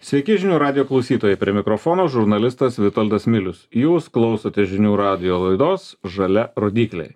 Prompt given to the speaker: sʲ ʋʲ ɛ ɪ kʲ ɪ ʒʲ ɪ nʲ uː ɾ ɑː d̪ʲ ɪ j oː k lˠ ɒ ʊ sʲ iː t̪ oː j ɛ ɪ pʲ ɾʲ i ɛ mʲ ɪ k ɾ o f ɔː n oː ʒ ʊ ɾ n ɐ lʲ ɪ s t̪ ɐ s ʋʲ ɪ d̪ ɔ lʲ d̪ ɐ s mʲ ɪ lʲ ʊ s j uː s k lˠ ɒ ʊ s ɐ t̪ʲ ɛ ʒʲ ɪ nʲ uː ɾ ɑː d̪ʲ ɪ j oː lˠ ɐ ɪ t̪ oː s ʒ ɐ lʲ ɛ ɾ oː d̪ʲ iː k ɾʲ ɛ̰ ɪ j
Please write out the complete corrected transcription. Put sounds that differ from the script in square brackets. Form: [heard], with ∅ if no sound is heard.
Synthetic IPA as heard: sʲ ʋʲ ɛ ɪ kʲ ɪ ʒʲ ɪ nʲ uː ɾ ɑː d̪ʲ ɪ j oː k lˠ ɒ ʊ sʲ iː t̪ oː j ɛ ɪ pʲ ɾʲ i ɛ mʲ ɪ k ɾ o f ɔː n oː ʒ ʊ ɾ n ɐ lʲ ɪ s t̪ ɐ s ʋʲ ɪ [t̪] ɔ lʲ d̪ ɐ s mʲ ɪ lʲ ʊ s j uː s k lˠ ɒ ʊ s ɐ t̪ʲ ɛ ʒʲ ɪ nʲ uː ɾ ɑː d̪ʲ ɪ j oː lˠ ɐ ɪ [d̪] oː s ʒ ɐ lʲ ɛ ɾ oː d̪ʲ iː k [lʲ] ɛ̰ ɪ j